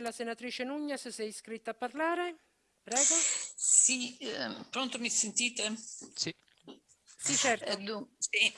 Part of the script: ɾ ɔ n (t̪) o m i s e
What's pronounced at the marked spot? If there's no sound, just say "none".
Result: t̪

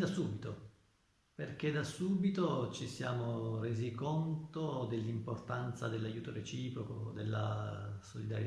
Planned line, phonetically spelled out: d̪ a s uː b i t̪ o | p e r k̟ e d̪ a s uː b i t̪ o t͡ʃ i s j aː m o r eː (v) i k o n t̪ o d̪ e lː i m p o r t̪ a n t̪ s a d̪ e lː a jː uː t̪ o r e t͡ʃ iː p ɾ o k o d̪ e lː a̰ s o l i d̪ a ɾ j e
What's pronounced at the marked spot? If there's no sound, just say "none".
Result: z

